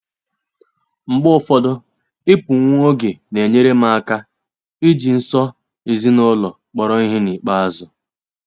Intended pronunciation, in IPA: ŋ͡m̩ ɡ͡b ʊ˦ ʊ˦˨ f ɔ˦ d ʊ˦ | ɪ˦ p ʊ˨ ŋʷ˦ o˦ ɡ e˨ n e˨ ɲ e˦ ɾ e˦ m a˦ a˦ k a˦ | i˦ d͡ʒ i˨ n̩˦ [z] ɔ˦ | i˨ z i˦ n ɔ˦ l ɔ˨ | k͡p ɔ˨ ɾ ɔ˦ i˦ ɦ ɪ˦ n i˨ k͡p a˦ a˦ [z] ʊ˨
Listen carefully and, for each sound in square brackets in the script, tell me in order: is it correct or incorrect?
incorrect, correct

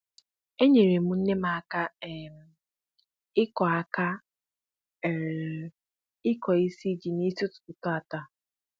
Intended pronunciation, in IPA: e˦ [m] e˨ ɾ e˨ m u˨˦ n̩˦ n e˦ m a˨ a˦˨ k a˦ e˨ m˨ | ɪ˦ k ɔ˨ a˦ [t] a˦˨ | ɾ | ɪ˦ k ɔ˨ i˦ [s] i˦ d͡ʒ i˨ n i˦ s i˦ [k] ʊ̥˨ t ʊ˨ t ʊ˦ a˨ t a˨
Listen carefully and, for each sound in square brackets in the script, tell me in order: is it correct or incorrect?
incorrect, incorrect, correct, incorrect

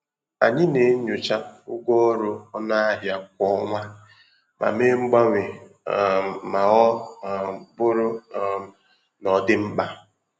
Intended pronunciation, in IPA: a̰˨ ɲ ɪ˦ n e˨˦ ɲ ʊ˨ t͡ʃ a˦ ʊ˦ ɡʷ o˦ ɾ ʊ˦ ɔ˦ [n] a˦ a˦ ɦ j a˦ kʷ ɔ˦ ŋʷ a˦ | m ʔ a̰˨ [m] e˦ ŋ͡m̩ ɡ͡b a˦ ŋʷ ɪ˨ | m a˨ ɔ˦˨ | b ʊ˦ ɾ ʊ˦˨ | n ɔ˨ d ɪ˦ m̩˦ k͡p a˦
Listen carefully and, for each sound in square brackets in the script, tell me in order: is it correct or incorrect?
correct, correct

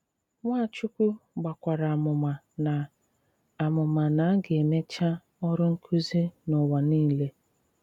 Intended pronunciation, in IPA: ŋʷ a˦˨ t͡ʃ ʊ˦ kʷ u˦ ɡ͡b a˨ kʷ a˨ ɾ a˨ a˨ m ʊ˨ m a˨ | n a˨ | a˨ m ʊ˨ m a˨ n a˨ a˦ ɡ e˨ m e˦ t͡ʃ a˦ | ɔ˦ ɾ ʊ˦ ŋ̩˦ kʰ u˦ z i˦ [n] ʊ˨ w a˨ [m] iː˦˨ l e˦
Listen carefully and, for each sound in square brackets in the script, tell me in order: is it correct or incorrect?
correct, incorrect

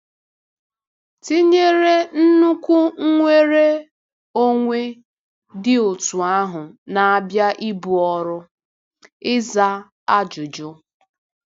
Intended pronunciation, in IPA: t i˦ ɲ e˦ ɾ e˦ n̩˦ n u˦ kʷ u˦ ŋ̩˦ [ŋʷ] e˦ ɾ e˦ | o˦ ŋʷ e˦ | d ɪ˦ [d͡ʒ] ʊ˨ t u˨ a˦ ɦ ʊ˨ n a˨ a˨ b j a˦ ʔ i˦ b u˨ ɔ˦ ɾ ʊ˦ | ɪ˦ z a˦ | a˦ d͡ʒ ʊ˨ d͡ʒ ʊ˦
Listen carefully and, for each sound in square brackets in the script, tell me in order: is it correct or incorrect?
correct, incorrect

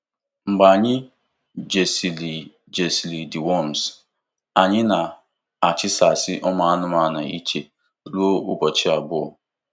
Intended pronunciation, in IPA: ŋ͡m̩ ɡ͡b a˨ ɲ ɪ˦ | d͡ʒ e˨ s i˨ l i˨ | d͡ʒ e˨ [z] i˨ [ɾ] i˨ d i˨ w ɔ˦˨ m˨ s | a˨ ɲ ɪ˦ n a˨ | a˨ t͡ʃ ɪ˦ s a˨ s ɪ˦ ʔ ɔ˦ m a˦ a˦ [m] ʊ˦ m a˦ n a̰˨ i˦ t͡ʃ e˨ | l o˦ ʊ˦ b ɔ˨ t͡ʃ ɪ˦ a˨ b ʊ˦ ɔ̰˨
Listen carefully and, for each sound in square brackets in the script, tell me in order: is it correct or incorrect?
incorrect, incorrect, incorrect

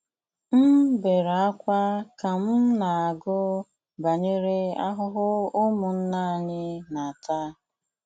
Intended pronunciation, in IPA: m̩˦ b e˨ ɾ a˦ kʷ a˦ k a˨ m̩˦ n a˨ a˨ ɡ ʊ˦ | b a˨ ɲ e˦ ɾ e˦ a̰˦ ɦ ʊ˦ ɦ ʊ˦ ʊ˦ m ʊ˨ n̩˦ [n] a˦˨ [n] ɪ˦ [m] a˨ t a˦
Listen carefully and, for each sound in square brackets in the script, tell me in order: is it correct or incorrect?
correct, incorrect, incorrect

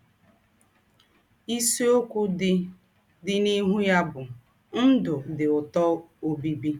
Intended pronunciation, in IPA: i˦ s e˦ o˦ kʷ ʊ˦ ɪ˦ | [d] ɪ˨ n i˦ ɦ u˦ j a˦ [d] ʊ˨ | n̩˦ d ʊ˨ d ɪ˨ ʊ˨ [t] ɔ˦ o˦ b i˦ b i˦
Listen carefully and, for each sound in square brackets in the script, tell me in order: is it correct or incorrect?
correct, incorrect, correct

